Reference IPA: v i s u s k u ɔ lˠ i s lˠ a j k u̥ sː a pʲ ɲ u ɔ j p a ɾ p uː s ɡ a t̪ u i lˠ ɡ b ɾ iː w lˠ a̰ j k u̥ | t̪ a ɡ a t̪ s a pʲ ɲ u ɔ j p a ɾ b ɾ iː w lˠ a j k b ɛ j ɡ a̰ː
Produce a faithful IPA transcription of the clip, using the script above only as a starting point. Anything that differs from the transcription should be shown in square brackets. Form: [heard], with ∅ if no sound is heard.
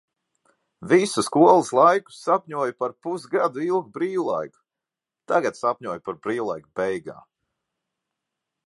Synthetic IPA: v i s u s k u ɔ lˠ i s lˠ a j k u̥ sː a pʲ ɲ u ɔ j p a ɾ p [u] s ɡ a [d̪] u i lˠ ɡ b ɾ iː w lˠ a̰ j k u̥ | t̪ a ɡ a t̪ s a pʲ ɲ u ɔ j p a ɾ b ɾ iː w lˠ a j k b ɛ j ɡ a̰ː